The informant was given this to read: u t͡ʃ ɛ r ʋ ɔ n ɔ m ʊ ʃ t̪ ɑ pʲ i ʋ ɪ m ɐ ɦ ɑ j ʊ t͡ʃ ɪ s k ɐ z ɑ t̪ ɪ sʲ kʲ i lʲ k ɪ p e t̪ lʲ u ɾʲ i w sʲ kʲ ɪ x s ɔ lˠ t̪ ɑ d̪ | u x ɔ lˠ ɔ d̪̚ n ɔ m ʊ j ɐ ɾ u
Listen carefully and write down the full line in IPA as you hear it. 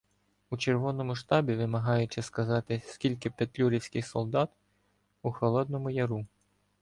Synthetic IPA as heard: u t͡ʃ e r ʋ ɔ n ɔ m ʊ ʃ t̪ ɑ bʲ i ʋ ɪ m ɐ ɦ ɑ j ʊ t͡ʃ ɪ s k ɐ z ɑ t̪ ɪ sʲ kʲ i lʲ k ɪ p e t̪ lʲ u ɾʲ i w sʲ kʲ ɪ x s ɔ lˠ d̪ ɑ t̪ | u x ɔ lˠ ɔ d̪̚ n ɔ m ʊ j ɐ ɾ u